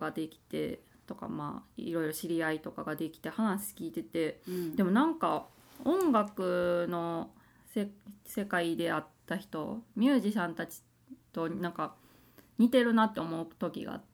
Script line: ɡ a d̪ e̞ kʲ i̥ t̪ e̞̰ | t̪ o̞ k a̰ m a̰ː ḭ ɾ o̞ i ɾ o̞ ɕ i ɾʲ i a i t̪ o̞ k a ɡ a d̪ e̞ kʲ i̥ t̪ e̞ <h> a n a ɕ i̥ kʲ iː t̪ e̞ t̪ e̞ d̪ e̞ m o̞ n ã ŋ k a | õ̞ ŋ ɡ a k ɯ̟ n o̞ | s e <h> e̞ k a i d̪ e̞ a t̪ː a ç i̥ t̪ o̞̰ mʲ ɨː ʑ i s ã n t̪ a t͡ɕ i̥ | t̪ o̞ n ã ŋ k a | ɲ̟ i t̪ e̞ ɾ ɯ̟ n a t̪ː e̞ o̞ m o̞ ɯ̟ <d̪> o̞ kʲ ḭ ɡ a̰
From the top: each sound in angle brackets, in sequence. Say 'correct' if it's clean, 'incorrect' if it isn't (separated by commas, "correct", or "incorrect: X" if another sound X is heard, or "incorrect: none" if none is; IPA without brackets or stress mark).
correct, incorrect: s, incorrect: t̪